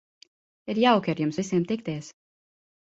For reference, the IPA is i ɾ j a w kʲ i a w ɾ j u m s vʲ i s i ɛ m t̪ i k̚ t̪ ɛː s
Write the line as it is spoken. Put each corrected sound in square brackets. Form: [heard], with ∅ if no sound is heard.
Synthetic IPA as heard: i ɾ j a w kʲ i a [∅] ɾ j u m s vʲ i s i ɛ m t̪ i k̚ t̪ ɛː s